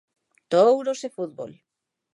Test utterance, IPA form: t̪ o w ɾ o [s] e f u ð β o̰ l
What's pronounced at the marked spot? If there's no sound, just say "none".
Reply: s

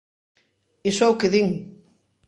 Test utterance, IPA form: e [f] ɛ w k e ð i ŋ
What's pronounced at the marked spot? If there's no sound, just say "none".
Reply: s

